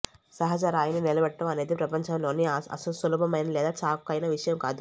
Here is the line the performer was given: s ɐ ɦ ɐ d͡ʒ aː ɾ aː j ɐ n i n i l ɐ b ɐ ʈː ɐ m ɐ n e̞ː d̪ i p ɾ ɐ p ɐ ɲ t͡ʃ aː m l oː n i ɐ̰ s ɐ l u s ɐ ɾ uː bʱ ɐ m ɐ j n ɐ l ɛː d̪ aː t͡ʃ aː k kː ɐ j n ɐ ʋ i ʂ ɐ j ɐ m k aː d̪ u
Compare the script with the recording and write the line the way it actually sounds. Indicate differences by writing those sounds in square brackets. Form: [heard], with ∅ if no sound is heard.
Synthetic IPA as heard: s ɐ ɦ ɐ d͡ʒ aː ɾ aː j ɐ n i n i l ɐ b ɐ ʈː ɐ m ɐ n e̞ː d̪ i p ɾ ɐ p ɐ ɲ t͡ʃ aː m l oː n i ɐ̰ s ɐ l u s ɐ [l] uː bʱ ɐ m ɐ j n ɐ l ɛː d̪ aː t͡ʃ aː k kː ɐ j n ɐ ʋ i ʂ ɐ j ɐ m k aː d̪ u